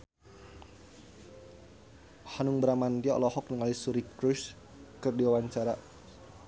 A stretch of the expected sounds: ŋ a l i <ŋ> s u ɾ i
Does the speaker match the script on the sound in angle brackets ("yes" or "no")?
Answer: no